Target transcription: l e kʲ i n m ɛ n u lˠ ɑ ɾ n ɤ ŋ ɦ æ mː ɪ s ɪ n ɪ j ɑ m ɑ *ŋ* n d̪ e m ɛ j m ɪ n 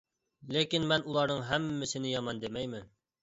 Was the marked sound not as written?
yes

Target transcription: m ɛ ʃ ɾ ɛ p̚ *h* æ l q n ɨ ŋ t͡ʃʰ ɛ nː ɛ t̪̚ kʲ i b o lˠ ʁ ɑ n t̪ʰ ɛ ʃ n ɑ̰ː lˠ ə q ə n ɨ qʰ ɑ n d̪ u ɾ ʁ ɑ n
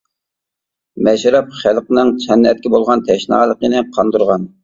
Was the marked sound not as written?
yes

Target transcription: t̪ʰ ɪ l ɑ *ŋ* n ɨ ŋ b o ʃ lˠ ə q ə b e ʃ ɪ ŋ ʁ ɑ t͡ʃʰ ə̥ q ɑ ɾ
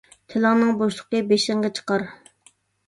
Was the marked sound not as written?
no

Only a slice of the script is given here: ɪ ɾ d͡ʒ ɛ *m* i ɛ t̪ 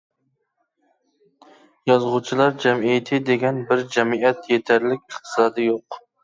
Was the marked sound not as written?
no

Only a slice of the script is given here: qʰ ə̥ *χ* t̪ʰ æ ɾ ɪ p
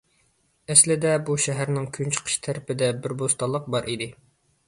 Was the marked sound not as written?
yes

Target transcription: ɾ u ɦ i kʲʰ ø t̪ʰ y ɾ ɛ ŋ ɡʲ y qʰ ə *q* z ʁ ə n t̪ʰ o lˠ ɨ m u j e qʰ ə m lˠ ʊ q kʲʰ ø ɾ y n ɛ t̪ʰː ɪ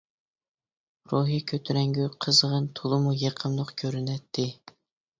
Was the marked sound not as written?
yes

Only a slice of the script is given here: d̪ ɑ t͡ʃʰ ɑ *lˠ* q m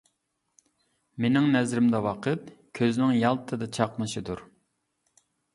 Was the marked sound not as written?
yes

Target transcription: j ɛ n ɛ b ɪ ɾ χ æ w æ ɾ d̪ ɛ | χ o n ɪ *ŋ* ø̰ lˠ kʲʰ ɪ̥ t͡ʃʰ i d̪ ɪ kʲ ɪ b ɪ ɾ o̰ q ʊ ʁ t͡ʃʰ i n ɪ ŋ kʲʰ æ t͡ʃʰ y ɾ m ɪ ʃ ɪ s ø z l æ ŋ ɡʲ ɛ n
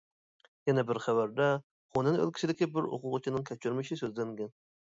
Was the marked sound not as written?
yes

